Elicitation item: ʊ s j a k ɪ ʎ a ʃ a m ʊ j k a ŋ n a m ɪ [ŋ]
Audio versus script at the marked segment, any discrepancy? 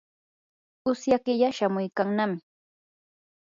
yes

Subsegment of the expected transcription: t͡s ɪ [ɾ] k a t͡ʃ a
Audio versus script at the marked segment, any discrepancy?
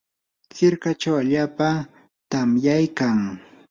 no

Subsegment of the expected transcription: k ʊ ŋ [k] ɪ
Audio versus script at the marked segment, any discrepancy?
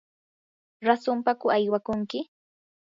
no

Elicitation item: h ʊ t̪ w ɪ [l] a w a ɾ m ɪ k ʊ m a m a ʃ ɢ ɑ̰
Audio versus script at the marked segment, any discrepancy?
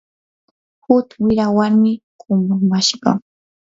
yes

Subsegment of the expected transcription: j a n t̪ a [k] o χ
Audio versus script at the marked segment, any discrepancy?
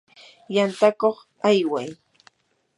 no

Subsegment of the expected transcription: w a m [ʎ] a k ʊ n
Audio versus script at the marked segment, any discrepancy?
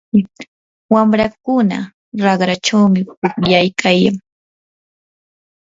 yes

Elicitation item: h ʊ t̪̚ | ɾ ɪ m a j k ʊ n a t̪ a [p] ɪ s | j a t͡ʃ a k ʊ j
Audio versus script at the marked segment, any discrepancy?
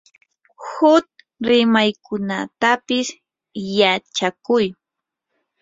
no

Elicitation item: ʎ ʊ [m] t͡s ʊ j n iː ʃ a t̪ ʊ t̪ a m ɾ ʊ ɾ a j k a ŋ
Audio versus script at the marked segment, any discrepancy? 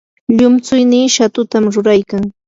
no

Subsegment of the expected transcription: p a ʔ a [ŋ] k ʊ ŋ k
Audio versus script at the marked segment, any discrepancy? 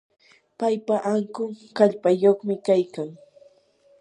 no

